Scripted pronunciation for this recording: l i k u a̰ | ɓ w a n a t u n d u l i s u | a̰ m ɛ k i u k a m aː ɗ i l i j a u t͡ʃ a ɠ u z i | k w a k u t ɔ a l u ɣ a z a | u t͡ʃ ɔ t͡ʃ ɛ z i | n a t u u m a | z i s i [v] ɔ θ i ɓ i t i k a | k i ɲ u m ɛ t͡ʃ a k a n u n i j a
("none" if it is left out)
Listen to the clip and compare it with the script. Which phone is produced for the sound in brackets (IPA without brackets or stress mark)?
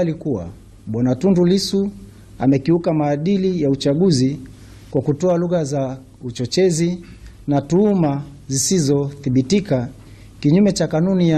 z